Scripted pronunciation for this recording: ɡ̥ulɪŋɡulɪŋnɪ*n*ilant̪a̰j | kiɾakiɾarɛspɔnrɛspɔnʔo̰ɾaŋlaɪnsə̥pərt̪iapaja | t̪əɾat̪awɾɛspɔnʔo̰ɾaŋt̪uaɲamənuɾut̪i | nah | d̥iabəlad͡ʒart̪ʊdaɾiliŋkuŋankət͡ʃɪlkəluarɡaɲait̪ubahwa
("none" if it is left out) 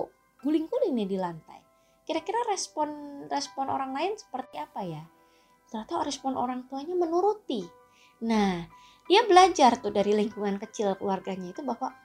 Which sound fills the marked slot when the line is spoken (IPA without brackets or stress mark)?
d